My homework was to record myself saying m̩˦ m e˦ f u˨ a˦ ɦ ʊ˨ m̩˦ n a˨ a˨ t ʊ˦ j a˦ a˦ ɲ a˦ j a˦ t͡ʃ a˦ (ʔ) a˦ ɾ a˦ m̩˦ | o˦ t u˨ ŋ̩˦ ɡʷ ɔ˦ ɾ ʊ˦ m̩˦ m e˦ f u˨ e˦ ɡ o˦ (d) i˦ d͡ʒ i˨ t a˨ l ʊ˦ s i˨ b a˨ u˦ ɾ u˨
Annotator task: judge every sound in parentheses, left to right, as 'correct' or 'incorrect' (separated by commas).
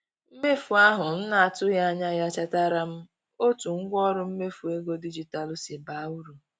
incorrect, correct